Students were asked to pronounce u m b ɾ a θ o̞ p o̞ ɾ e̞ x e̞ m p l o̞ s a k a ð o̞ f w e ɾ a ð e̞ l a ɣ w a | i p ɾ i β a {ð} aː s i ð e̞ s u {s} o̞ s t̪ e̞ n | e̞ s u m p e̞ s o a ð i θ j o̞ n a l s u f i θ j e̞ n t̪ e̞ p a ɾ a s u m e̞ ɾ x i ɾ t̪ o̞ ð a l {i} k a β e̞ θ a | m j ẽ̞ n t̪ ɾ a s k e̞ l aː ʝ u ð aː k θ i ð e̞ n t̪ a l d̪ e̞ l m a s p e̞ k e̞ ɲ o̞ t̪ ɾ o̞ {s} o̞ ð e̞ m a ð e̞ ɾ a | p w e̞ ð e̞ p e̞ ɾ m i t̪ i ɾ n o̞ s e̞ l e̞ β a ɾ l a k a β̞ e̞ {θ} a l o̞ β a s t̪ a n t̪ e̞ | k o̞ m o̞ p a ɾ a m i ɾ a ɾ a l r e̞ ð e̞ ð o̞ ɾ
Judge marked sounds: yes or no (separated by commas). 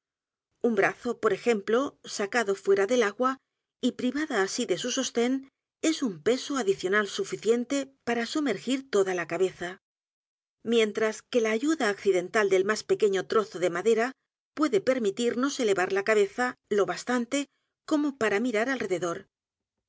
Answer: yes, yes, no, no, yes